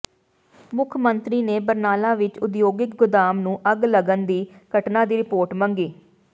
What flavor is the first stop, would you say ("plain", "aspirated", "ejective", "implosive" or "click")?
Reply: aspirated